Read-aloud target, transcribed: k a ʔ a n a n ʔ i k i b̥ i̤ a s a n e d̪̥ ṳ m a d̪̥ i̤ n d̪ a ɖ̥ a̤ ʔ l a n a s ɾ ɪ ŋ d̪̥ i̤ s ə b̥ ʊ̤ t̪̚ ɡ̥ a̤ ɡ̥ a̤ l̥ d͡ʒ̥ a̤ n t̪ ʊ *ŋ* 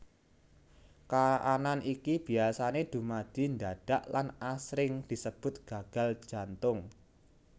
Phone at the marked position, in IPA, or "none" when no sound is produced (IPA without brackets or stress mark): ŋ